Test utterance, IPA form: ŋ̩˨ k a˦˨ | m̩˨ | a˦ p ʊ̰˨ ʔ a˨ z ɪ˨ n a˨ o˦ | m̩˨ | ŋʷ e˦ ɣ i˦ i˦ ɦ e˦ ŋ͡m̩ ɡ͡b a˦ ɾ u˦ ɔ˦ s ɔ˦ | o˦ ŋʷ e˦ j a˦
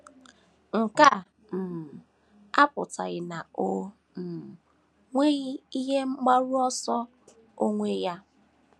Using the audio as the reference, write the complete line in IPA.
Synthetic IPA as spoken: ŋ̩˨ k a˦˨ | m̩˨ | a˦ p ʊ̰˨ t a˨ ɣ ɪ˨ n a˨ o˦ | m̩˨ | ŋʷ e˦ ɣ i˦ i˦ ɦ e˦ ŋ͡m̩ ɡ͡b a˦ ɾ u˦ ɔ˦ s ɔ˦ | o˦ ŋʷ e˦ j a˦